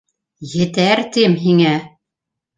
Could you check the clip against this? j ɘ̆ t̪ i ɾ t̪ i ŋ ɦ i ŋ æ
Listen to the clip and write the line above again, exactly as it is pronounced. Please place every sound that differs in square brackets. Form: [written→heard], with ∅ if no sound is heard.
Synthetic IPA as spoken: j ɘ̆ t̪ [i→æ] ɾ t̪ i [ŋ→m] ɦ i ŋ æ